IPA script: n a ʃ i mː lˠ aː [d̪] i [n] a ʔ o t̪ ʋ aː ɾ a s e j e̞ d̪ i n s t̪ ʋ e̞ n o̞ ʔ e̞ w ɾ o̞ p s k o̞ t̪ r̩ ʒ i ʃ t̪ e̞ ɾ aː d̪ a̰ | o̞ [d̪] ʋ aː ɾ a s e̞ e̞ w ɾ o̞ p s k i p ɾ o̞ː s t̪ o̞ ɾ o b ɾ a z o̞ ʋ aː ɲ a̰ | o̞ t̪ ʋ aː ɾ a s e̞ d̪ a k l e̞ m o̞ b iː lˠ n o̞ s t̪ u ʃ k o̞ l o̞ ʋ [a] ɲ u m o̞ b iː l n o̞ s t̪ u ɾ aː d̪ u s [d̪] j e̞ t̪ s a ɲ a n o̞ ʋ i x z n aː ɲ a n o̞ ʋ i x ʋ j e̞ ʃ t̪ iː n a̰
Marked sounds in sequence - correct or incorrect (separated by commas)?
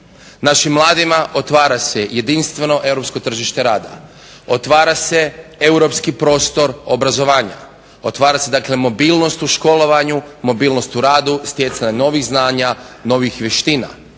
correct, incorrect, incorrect, correct, incorrect